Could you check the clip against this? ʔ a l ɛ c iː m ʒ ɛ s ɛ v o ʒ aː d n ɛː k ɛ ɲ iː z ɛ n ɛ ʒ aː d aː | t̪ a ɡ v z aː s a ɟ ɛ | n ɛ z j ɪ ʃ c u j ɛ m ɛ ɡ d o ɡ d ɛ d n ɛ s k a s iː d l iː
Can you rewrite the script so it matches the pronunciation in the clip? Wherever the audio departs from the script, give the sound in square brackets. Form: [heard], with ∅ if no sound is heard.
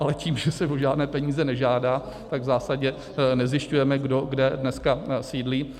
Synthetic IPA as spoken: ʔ a l ɛ c iː m ʒ ɛ s ɛ v o ʒ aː d n ɛː [p] ɛ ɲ iː z ɛ n ɛ ʒ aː d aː | t̪ a ɡ v z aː s a ɟ ɛ | n ɛ z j ɪ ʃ c u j ɛ m ɛ ɡ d o ɡ d ɛ d n ɛ s k a s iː d l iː